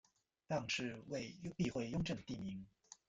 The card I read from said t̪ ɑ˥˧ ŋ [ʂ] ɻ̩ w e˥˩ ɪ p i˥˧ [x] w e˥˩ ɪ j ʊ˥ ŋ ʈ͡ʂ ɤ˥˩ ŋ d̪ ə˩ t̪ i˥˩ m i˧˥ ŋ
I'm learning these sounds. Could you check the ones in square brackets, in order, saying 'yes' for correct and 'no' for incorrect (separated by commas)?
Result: yes, yes